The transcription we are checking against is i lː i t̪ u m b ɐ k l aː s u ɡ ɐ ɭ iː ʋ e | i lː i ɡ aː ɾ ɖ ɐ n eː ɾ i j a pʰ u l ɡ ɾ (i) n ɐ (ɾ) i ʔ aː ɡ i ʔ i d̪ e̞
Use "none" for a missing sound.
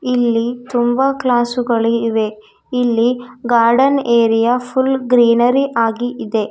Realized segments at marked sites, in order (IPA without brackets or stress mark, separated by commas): iː, ɾ